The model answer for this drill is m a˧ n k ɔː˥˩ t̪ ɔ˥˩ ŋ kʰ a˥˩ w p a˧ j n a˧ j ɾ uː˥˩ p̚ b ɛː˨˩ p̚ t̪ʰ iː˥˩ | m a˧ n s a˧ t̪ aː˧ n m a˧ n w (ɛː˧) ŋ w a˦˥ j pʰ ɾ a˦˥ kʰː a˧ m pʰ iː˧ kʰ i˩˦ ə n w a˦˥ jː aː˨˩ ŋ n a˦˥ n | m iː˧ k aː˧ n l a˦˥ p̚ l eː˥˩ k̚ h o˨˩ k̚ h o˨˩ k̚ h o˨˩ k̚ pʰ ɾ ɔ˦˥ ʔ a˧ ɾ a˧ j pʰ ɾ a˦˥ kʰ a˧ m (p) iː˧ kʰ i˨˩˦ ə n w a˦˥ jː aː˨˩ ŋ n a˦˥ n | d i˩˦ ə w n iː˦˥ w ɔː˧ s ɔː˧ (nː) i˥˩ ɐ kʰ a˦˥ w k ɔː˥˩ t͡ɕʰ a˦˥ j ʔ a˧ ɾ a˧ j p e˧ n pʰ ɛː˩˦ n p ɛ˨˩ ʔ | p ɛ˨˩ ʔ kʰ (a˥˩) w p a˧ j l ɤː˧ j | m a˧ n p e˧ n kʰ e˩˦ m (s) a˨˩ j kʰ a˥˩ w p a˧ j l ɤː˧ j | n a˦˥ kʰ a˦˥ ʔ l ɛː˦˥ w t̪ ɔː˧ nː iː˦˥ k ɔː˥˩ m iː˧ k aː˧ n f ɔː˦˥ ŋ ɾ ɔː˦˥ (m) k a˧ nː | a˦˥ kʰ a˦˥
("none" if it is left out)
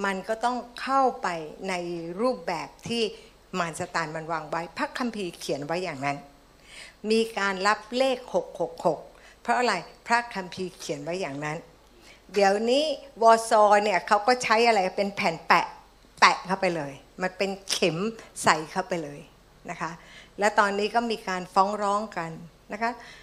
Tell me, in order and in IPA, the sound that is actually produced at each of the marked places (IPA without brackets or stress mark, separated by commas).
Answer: aː˧, pʰ, n, a˥˩, s, ŋ